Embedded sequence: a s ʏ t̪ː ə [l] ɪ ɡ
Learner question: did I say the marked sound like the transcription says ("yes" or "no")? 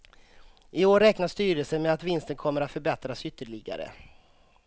no